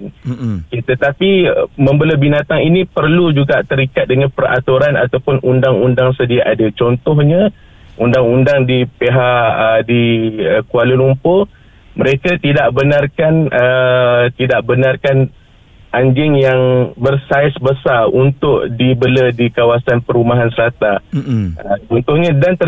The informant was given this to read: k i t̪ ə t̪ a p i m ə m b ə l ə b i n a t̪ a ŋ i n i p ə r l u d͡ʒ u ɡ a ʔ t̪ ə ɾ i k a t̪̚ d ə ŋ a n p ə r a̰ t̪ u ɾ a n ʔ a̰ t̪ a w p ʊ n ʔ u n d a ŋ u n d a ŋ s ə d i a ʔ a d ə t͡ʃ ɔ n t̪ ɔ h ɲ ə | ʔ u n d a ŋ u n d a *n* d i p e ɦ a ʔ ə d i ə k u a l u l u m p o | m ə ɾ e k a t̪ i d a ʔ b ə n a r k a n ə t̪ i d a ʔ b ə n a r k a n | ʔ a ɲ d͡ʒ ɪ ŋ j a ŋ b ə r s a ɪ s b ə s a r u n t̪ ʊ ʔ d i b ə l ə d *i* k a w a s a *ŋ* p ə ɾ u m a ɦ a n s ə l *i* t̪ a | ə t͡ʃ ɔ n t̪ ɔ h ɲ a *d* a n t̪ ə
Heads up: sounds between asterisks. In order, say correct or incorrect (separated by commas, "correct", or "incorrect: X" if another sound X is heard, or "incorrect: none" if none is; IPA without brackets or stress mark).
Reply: incorrect: ŋ, correct, incorrect: n, incorrect: a, correct